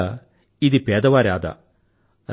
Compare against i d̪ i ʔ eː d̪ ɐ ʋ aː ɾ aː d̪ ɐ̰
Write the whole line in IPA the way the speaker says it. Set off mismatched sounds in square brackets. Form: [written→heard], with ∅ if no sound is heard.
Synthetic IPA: i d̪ i [ʔ→p] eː d̪ ɐ ʋ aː ɾ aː d̪ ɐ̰